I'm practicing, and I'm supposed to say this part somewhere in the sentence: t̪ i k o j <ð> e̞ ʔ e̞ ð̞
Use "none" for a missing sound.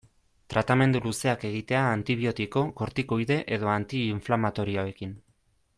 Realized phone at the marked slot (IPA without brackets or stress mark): ð